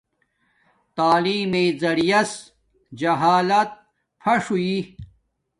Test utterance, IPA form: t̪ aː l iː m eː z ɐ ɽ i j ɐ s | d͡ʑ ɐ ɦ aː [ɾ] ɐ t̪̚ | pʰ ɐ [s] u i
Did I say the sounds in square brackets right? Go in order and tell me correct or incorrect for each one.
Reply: incorrect: l, incorrect: ʂ

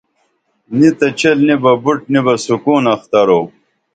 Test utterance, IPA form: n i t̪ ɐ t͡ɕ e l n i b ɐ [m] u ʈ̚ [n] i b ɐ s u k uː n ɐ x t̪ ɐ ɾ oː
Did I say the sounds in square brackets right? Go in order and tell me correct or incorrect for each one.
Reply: incorrect: b, correct

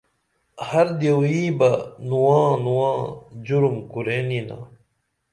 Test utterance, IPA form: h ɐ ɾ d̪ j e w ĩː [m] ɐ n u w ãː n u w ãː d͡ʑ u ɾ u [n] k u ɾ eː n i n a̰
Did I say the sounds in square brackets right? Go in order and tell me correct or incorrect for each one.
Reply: incorrect: b, incorrect: m

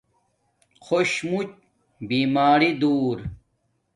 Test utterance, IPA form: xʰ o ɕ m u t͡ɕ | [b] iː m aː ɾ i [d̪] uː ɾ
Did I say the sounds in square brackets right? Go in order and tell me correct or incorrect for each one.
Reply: correct, correct

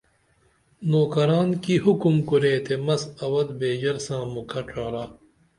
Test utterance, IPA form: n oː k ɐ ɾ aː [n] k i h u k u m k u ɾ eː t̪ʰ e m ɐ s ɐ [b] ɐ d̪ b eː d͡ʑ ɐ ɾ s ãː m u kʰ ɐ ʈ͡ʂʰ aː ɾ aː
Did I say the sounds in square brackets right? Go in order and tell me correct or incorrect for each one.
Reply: correct, incorrect: w

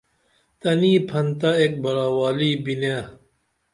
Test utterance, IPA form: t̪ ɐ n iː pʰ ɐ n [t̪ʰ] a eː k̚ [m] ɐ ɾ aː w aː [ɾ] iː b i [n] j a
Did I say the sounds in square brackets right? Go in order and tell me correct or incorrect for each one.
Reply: incorrect: t̪, incorrect: b, incorrect: l, correct

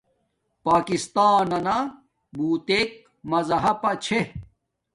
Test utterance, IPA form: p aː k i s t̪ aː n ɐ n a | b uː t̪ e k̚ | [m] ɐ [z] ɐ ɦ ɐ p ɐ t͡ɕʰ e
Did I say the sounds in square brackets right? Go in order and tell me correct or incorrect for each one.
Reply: correct, correct

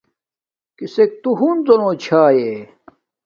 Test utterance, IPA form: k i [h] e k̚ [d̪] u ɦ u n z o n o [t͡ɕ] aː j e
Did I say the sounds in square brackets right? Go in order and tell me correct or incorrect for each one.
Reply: incorrect: s, incorrect: t̪, incorrect: t͡ɕʰ

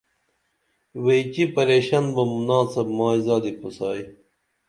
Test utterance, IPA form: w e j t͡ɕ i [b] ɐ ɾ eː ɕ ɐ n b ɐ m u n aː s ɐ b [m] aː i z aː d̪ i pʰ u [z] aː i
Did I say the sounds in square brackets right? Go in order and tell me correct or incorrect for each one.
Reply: incorrect: p, correct, incorrect: s

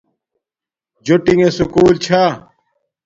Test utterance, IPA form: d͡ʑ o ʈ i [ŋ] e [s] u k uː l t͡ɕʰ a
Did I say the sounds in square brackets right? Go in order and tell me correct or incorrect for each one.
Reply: correct, correct

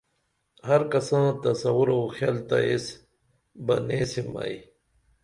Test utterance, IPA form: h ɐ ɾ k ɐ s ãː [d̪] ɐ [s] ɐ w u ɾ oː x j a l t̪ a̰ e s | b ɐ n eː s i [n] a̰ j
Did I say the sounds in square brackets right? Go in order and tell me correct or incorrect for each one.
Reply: incorrect: t̪, correct, incorrect: m

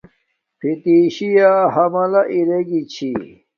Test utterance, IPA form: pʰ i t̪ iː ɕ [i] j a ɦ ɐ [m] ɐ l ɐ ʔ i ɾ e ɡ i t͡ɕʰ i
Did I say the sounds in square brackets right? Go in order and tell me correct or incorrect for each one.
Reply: correct, correct

